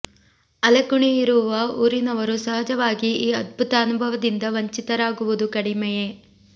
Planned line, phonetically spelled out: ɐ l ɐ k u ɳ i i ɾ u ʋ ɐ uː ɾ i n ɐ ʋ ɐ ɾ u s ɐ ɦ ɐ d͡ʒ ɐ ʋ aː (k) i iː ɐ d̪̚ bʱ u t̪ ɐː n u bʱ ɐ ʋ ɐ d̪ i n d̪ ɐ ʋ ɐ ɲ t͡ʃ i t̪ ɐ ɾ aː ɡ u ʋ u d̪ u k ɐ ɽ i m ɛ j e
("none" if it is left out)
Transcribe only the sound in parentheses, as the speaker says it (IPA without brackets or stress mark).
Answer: ɡ